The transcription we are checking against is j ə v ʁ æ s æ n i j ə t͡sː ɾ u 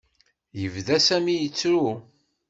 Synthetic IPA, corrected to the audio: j ə v ð æ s æ m i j ə t͡sː ɾ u